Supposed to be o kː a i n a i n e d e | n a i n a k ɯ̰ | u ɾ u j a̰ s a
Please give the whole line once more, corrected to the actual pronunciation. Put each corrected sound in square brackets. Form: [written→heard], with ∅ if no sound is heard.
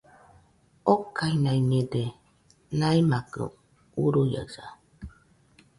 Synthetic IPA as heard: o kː a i n a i n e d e | n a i [n→m] a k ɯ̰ | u ɾ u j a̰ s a